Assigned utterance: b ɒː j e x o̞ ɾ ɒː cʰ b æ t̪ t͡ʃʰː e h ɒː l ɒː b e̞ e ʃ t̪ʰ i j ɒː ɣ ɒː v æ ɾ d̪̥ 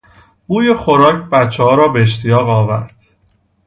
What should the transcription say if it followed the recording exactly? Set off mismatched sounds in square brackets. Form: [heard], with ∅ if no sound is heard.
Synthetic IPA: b [uː] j e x o̞ ɾ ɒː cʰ b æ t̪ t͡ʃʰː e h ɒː [ɾ] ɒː b e̞ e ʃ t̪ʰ i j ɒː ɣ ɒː v æ ɾ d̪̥